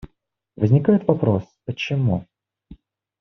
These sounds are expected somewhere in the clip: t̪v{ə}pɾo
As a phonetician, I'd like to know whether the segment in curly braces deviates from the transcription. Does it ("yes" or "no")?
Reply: yes